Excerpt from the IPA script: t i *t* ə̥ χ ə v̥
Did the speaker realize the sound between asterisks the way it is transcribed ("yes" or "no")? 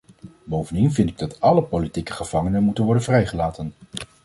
no